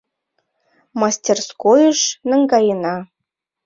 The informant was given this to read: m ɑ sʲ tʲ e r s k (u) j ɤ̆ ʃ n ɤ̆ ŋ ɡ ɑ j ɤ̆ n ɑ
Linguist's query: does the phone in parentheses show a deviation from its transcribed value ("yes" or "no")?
yes